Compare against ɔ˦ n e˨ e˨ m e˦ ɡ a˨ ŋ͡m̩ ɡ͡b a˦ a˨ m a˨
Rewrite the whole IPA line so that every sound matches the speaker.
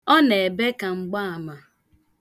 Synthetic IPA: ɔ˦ n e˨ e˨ b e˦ k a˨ ŋ͡m̩ ɡ͡b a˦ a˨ m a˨